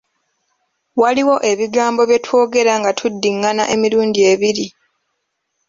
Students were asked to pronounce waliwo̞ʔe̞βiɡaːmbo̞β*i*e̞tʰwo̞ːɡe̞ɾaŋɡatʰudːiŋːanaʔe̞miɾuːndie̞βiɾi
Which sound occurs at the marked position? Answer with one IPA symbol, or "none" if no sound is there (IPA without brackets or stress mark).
j